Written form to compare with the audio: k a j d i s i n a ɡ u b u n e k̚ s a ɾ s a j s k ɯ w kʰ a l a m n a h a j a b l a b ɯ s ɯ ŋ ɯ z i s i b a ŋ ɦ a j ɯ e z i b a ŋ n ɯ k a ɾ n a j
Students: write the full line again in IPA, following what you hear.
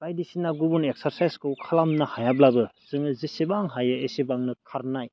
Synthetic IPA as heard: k a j d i s i n a ɡ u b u n e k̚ s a ɾ s a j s k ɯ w kʰ a l a m n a h a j a b l a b ɯ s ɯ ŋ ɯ z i s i b a ŋ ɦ a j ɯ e s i b a ŋ n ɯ kʰ a ɾ n a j